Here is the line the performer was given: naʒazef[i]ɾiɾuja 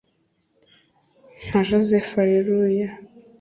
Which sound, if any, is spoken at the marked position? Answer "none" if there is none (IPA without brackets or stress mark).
a